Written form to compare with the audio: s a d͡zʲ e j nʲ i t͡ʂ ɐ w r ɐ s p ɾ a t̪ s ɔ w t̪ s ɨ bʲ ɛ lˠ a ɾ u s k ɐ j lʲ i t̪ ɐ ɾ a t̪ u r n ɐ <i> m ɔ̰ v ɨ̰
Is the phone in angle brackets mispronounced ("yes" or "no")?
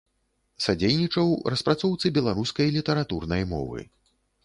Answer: yes